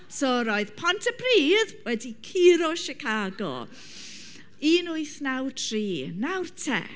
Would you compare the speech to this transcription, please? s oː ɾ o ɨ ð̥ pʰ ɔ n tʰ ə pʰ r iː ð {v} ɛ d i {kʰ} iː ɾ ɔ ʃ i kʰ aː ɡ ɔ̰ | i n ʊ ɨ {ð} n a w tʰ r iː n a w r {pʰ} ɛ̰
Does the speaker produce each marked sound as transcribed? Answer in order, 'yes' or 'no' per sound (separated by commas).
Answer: no, yes, no, no